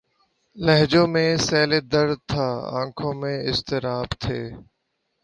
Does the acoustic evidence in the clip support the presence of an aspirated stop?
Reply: yes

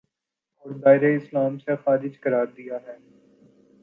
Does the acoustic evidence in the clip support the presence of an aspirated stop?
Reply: no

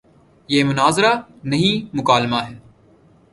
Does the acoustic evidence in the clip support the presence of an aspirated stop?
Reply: no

